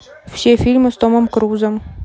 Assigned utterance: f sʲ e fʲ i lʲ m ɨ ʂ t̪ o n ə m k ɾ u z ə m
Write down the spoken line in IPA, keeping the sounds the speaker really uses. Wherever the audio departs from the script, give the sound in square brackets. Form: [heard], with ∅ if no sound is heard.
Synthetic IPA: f sʲ e fʲ i lʲ m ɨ [s] t̪ o [m] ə m k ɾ u z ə m